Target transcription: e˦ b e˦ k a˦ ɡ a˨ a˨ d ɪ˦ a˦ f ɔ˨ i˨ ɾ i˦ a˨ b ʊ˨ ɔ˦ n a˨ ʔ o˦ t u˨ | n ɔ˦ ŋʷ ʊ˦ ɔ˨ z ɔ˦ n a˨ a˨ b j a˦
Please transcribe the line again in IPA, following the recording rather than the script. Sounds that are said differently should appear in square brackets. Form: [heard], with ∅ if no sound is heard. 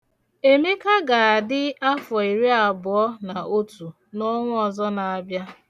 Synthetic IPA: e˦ [m] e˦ k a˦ ɡ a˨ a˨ d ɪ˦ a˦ f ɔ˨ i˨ ɾ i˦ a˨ b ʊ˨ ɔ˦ n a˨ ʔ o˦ t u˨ | n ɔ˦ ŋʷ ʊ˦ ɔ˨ z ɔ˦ n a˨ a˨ b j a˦